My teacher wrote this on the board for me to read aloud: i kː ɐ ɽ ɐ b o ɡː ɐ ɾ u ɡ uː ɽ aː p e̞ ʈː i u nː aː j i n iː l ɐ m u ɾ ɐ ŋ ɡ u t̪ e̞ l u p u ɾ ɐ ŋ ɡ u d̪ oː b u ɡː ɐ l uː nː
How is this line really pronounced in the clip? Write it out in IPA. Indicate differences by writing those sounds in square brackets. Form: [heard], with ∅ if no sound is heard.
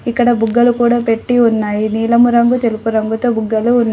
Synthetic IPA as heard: i kː ɐ ɽ ɐ b [u] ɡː ɐ [l] u [k] uː ɽ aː p e̞ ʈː i u nː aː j i n iː l ɐ m u ɾ ɐ ŋ ɡ u t̪ e̞ l u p u ɾ ɐ ŋ ɡ u [t̪] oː b u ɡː ɐ l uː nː